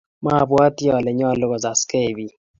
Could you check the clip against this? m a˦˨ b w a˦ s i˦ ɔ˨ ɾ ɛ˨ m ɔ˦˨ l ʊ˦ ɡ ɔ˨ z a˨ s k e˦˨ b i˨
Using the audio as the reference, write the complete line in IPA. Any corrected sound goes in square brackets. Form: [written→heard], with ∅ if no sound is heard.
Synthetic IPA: m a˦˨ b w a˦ [s→t] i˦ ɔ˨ [ɾ→l] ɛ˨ [m→ɲ] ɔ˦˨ l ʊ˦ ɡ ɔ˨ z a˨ s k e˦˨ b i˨